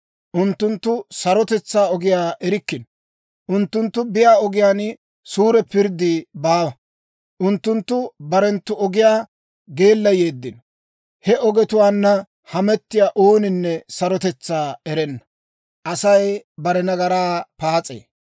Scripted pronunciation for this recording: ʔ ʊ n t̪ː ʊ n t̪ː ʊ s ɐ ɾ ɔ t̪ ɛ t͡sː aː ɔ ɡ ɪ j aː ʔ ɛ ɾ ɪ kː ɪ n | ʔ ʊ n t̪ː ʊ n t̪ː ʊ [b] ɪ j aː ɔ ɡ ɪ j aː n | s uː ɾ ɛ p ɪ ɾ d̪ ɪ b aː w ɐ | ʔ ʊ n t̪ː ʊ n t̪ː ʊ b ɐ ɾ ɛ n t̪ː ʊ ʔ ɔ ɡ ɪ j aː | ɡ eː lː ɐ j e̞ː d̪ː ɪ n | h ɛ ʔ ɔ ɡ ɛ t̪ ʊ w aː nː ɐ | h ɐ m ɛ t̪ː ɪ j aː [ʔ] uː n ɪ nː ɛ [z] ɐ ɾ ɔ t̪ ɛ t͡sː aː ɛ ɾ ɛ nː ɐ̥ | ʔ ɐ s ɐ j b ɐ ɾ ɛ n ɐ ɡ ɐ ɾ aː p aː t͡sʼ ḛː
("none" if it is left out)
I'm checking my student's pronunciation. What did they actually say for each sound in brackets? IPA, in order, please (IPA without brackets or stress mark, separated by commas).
b, ʔ, s